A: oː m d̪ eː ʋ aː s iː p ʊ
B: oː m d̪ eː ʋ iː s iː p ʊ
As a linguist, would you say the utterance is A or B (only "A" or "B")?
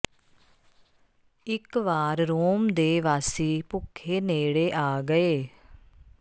A